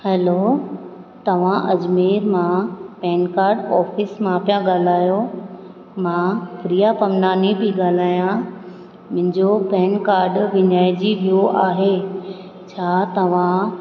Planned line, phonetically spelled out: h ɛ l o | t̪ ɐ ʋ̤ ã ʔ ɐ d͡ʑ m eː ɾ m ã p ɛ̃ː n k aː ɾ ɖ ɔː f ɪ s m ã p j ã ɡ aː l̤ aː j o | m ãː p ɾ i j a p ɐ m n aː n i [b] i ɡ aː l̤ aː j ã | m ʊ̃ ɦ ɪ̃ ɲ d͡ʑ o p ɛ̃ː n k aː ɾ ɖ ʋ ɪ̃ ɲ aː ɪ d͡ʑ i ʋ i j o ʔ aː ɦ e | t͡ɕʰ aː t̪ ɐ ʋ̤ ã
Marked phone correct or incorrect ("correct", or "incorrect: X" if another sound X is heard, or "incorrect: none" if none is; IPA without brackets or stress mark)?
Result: correct